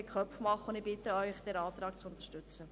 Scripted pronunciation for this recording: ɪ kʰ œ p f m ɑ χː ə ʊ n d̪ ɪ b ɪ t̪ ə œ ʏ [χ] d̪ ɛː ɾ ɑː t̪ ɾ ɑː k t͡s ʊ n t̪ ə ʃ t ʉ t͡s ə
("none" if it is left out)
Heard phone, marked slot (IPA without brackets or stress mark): χ